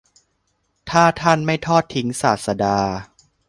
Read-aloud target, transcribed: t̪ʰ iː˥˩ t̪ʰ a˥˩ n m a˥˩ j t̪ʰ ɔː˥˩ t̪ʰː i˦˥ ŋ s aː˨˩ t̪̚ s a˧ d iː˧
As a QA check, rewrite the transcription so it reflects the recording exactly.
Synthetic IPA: t̪ʰ aː˥˩ t̪ʰ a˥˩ n m a˥˩ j t̪ʰ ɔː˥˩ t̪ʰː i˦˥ ŋ s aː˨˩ t̪̚ s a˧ d aː˧